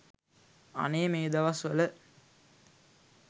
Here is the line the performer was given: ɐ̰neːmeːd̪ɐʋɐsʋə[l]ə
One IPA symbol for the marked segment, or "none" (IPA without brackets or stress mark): l